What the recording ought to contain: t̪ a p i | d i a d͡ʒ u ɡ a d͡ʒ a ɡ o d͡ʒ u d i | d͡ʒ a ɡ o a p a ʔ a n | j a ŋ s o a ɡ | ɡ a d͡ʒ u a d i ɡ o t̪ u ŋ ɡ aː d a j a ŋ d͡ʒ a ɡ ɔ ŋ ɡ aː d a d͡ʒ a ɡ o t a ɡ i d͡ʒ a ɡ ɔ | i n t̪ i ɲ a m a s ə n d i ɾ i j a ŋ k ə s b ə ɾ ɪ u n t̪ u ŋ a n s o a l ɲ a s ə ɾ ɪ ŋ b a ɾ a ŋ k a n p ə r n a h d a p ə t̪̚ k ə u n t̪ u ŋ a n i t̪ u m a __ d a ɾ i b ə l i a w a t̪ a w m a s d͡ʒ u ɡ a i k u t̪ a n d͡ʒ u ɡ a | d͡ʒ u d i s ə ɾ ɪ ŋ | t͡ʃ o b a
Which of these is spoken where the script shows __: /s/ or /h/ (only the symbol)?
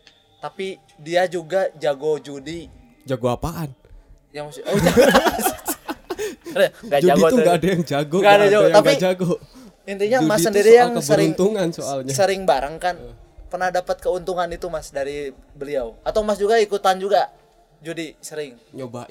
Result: s